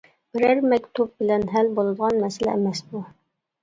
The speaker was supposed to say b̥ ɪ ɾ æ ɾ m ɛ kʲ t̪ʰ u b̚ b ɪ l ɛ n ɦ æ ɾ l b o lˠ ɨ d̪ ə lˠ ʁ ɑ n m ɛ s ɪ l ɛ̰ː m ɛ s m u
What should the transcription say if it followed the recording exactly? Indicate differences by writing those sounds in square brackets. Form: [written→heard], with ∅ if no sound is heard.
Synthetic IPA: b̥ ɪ ɾ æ ɾ m ɛ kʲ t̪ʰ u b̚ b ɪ l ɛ n ɦ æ [ɾ→∅] l b o lˠ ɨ d̪ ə [lˠ→∅] ʁ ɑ n m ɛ s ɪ l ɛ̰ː m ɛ s [m→b] u